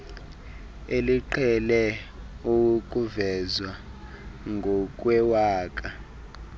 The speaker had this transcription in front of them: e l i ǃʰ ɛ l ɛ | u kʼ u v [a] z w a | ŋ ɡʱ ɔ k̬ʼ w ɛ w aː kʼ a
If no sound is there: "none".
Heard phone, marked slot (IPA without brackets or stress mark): ɛ